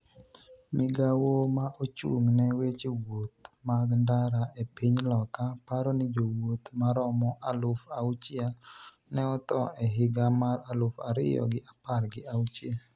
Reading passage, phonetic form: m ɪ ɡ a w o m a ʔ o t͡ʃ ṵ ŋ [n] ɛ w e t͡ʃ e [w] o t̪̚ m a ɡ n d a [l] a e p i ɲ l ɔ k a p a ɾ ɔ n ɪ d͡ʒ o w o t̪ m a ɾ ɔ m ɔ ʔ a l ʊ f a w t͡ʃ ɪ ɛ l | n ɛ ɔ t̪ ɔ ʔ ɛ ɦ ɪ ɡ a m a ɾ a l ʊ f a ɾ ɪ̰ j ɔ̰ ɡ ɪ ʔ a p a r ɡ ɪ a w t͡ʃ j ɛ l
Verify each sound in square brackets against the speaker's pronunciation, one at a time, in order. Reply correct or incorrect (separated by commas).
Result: correct, correct, incorrect